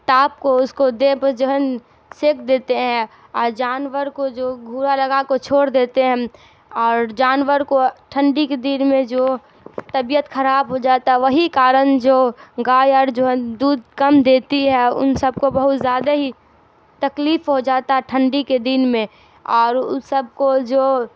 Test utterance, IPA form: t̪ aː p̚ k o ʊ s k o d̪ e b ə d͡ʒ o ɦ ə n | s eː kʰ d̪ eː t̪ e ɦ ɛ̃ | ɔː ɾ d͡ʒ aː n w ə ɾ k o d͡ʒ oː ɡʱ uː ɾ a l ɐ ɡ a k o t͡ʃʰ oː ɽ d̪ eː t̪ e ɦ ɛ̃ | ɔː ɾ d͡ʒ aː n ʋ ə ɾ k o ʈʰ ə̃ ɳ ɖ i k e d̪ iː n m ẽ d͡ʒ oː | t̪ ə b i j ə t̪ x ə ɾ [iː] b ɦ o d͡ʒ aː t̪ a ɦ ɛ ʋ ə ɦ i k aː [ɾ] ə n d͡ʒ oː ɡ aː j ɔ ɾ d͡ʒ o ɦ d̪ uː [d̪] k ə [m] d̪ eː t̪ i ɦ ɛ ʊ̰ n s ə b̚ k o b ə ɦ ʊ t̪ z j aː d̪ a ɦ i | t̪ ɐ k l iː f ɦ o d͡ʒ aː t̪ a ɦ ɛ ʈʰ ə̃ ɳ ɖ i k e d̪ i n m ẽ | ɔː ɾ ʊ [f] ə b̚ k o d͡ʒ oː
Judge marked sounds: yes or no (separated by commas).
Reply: no, yes, yes, yes, no